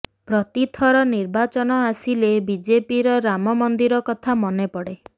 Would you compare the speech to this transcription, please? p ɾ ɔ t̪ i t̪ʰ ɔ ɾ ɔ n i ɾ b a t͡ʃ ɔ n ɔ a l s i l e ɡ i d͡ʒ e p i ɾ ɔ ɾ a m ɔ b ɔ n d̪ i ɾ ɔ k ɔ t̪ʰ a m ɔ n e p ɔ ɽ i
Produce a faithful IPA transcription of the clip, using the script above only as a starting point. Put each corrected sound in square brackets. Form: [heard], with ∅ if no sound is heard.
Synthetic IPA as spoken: p ɾ ɔ t̪ i t̪ʰ ɔ ɾ ɔ n i ɾ b a t͡ʃ ɔ n ɔ a [∅] s i l e [b] i d͡ʒ e p i ɾ ɔ ɾ a m ɔ [m] ɔ n d̪ i ɾ ɔ k ɔ t̪ʰ a m ɔ n e p ɔ ɽ [e]